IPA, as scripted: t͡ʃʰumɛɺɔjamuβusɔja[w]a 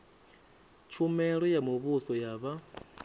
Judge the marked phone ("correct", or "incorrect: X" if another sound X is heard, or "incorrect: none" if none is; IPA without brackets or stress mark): incorrect: β